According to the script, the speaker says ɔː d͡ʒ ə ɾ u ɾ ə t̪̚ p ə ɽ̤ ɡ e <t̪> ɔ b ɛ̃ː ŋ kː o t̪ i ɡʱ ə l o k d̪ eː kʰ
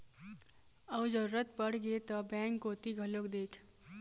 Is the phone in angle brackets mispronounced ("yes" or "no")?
no